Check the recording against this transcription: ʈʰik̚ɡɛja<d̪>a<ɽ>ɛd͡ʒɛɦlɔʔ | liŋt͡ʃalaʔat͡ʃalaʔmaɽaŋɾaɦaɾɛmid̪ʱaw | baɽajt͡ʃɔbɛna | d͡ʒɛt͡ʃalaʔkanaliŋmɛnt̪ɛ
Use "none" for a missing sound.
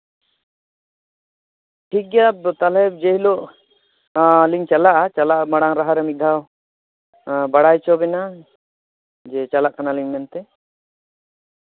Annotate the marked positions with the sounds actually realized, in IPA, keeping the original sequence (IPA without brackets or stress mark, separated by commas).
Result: t̪, l